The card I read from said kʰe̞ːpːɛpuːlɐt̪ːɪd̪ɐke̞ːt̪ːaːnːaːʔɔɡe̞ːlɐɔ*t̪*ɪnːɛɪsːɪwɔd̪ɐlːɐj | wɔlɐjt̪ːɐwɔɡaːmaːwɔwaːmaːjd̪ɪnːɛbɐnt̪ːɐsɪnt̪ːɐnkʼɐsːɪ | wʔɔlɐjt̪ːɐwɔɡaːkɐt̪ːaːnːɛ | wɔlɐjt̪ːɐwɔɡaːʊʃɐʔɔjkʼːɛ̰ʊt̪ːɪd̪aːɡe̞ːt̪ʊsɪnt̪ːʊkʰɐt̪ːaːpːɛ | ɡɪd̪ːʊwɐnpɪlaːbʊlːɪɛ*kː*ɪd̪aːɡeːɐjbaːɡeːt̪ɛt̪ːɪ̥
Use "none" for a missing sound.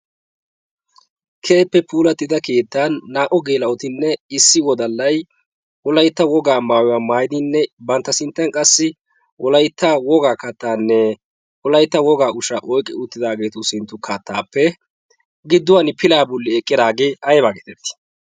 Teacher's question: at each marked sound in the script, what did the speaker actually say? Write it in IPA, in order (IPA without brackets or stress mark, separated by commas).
t̪, kʼː